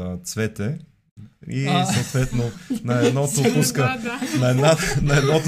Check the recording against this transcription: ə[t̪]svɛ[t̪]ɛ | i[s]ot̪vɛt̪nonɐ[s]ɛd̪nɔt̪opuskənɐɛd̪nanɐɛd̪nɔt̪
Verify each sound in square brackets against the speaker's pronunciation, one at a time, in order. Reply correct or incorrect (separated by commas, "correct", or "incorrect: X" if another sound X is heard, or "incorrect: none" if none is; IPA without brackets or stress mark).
correct, correct, correct, incorrect: none